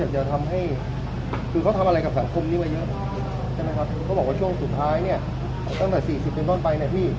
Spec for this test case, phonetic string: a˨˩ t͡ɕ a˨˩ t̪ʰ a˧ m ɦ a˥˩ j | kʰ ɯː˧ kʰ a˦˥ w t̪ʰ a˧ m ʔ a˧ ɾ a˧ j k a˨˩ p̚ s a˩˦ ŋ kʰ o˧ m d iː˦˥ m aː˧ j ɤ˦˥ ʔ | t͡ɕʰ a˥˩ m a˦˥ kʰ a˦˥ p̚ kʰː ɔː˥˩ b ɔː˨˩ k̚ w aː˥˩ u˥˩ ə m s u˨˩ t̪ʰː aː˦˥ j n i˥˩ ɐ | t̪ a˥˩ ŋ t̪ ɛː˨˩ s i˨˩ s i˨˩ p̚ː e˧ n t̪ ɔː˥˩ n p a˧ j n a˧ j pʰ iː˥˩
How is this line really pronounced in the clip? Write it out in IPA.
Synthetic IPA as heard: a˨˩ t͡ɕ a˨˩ t̪ʰ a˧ m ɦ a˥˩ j | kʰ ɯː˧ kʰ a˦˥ w t̪ʰ a˧ m ʔ a˧ ɾ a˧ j k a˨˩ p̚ s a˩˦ ŋ kʰ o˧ m n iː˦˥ m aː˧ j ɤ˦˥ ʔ | t͡ɕʰ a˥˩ m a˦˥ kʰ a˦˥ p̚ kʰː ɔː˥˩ b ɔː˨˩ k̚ w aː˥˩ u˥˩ ə ŋ s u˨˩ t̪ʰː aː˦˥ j n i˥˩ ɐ | t̪ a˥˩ ŋ t̪ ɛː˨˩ s iː˨˩ s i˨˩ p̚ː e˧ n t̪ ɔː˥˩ n p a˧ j n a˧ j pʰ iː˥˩